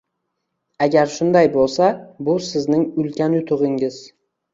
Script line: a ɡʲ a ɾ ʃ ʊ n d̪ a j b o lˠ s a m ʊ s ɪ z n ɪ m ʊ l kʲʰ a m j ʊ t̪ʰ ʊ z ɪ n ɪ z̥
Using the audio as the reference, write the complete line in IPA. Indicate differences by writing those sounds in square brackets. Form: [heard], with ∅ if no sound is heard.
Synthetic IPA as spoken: a ɡʲ a ɾ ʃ ʊ n d̪ a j b o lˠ s a [b] ʊ s ɪ z n ɪ [ŋ] ʊ l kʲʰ a [n] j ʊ t̪ʰ ʊ [ʁ] ɪ [ŋ] ɪ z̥